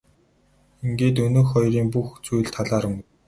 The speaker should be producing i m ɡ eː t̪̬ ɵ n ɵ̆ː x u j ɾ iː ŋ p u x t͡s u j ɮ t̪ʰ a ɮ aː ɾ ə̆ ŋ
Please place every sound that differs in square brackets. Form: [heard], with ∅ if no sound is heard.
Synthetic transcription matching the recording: i [ŋ] ɡ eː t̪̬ ɵ n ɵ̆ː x [ɔ] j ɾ iː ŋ p u x t͡s u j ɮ t̪ʰ a ɮ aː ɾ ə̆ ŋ